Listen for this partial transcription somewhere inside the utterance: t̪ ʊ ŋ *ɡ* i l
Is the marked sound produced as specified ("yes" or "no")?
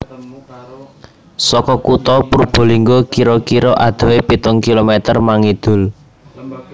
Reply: no